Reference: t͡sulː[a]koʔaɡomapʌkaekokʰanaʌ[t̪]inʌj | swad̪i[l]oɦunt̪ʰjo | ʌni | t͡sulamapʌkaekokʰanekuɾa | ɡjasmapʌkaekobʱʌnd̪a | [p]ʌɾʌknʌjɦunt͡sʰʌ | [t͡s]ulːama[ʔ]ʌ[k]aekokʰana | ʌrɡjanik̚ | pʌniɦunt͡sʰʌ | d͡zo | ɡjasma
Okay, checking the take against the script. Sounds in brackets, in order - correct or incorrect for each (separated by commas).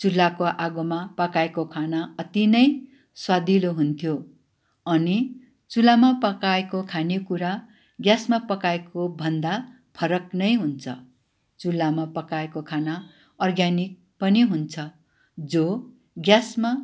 correct, correct, correct, incorrect, correct, incorrect, correct